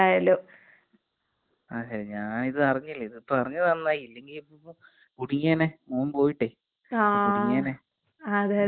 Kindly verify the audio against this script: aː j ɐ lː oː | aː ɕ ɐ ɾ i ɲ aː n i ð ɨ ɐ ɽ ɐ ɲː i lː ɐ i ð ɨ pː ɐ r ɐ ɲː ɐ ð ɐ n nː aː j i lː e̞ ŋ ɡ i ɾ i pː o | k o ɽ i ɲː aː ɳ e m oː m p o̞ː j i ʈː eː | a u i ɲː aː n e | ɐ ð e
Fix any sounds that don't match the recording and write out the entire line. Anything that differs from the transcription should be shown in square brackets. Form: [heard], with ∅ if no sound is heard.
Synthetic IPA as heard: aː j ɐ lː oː | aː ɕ ɐ ɾ i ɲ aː n i ð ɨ ɐ [r] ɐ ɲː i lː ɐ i ð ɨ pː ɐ r ɐ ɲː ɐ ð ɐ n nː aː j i lː e̞ ŋ ɡ i [l] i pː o | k [u] ɽ i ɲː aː [n] e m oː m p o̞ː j i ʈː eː | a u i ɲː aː n e | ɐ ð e